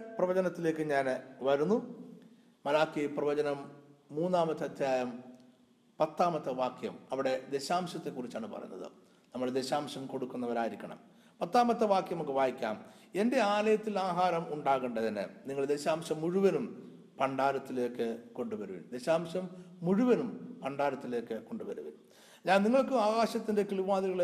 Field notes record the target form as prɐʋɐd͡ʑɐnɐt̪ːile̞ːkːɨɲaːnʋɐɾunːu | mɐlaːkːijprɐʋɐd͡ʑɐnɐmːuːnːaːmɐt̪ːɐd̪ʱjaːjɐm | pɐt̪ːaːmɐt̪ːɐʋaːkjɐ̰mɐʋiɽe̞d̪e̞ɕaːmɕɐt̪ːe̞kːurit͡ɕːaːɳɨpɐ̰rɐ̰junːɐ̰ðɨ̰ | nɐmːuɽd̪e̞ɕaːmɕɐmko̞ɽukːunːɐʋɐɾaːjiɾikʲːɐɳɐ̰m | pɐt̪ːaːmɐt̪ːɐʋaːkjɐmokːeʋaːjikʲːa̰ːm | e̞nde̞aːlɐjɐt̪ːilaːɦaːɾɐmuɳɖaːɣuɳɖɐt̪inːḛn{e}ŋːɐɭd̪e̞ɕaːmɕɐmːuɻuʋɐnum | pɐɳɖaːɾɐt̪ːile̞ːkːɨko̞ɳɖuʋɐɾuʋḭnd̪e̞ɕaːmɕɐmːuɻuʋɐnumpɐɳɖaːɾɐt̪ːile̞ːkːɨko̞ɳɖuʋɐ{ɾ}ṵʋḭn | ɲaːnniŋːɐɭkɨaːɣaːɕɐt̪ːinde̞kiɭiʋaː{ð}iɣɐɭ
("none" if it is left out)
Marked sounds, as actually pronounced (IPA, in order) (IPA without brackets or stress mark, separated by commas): i, ɾ, ð